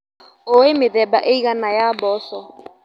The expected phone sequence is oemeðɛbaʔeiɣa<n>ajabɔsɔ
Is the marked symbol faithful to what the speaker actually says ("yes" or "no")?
yes